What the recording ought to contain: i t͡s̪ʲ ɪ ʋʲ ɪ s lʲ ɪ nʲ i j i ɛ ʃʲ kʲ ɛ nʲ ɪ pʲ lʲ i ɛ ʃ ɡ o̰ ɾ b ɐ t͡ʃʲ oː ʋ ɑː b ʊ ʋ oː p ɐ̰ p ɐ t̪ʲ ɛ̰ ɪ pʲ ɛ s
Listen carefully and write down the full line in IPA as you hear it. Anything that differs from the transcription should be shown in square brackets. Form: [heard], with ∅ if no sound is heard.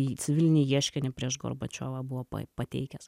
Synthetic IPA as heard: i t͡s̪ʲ ɪ ʋʲ ɪ [∅] lʲ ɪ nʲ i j i ɛ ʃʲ kʲ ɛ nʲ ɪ pʲ [ɾʲ] i ɛ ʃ ɡ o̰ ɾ b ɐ t͡ʃʲ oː ʋ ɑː b ʊ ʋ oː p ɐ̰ p ɐ t̪ʲ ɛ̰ ɪ [kʲ] ɛ s